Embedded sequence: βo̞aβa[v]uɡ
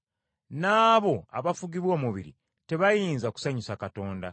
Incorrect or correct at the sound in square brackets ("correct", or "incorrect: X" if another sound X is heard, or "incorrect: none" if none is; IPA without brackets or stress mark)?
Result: incorrect: f